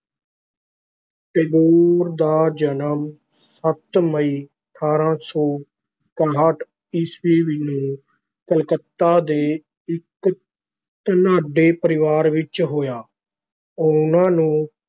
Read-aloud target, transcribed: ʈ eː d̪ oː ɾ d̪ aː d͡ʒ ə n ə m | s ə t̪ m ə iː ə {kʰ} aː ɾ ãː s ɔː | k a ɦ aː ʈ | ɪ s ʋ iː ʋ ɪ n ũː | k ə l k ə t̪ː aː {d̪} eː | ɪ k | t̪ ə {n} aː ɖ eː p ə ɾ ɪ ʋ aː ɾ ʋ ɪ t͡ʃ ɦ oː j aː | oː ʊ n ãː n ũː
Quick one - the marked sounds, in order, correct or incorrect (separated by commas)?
incorrect, correct, correct